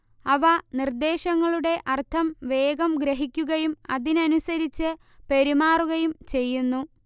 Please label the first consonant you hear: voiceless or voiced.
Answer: voiced